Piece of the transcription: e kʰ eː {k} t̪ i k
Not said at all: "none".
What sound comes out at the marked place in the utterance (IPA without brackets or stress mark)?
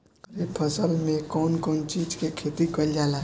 none